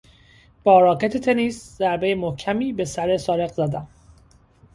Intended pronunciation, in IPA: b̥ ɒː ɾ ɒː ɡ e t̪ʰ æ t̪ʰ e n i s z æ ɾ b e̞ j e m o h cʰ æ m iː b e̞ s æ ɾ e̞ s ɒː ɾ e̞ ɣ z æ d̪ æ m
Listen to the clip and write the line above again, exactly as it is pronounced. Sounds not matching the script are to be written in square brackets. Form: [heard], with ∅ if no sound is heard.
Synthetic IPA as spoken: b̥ ɒː ɾ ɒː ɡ e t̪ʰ [e] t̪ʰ e n i s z æ ɾ b e̞ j e m o h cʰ æ m iː b e̞ s æ ɾ e̞ s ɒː ɾ e̞ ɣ z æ d̪ æ m